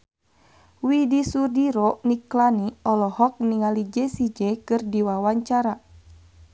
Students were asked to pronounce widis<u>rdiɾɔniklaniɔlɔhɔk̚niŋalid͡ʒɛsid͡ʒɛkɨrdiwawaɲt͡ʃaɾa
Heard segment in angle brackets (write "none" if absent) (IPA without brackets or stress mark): u